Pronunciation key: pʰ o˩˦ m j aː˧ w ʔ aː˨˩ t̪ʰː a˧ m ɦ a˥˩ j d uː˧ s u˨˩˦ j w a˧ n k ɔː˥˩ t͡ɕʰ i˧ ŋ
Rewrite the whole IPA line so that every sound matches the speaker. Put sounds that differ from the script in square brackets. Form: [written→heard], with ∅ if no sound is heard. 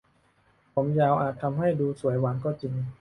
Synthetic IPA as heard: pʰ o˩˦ m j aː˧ w ʔ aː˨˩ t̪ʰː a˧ m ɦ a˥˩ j d uː˧ s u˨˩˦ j w [a˧→a˩˦] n k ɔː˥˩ [t͡ɕʰ→t͡ɕ] i˧ ŋ